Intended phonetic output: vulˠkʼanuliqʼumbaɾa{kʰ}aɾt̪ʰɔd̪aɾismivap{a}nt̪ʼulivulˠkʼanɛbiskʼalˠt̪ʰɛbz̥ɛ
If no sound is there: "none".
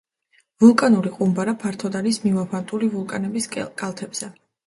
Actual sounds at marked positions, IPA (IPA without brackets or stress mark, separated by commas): pʰ, a